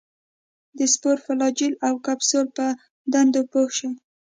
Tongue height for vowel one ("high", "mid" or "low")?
mid